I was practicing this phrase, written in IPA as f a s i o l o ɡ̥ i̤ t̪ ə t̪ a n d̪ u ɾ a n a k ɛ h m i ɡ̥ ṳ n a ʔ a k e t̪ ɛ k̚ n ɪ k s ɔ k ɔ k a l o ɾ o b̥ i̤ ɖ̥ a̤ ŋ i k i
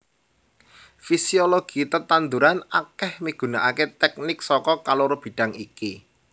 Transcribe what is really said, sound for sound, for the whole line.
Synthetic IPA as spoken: f i s i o l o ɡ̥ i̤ t̪ ə t̪ a n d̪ u ɾ a n a k ɛ h m i ɡ̥ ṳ n a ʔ a k e t̪ ɛ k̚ n ɪ k s ɔ k ɔ k a l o ɾ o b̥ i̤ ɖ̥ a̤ ŋ i k i